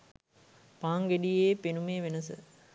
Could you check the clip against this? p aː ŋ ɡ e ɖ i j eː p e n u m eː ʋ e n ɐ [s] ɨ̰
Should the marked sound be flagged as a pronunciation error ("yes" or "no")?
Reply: no